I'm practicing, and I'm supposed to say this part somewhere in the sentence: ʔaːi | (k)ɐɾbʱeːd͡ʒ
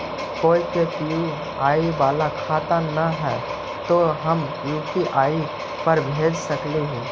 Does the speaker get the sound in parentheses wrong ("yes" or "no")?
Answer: yes